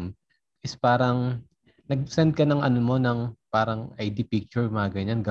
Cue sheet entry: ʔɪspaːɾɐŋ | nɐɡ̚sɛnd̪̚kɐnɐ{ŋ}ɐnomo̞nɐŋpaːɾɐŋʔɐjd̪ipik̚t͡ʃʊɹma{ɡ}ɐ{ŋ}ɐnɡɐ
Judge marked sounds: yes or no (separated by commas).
yes, yes, no